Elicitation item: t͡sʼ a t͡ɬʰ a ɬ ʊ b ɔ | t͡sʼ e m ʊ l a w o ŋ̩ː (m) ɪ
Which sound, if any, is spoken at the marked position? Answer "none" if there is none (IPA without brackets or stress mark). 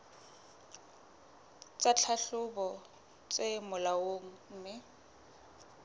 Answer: m